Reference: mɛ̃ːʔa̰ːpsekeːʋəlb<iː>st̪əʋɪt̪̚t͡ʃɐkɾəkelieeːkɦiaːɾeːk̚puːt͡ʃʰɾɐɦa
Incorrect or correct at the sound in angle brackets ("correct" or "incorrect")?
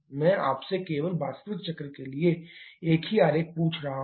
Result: incorrect